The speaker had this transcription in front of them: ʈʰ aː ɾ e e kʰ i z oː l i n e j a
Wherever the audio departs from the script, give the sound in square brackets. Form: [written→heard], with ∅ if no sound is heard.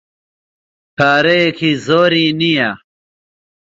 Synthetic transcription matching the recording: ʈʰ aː ɾ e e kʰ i z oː [l→ɾ] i n [e→i] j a